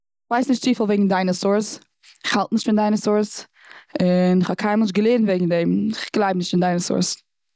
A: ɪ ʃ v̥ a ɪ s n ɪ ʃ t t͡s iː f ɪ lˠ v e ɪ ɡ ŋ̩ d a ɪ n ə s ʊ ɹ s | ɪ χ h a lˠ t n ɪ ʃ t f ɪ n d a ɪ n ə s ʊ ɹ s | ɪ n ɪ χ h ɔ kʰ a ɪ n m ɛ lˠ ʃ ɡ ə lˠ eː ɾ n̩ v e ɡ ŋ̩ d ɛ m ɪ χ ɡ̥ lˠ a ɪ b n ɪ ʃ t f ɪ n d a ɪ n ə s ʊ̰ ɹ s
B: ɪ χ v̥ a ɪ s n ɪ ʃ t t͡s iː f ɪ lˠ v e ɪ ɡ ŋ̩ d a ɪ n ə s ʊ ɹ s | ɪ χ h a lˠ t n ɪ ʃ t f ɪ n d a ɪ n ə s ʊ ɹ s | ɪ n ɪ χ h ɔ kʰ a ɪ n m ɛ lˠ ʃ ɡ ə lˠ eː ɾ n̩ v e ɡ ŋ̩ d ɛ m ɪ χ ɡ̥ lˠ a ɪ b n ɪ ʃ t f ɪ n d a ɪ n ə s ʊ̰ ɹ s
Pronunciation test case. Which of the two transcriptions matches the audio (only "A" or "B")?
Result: B